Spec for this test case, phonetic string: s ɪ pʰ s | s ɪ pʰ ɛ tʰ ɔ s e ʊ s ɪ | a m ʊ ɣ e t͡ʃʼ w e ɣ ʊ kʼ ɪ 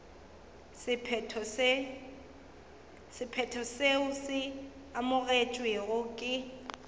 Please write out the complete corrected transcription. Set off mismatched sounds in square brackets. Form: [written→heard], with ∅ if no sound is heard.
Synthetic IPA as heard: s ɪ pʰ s | s ɪ pʰ ɛ tʰ ɔ s e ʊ s ɪ | a m ʊ ɣ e t͡ʃʼ w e ɣ ʊ kʼ ɪ